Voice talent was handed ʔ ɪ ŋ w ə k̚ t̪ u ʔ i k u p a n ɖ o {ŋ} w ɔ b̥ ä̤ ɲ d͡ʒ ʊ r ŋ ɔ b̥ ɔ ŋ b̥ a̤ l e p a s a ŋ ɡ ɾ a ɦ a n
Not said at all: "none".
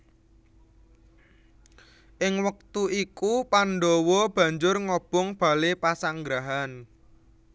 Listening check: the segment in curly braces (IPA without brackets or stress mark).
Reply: none